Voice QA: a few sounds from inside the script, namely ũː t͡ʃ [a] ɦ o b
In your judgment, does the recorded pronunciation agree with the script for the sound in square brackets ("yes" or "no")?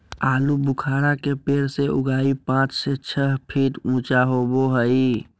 yes